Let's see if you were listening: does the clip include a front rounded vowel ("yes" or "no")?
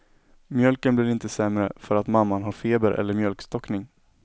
yes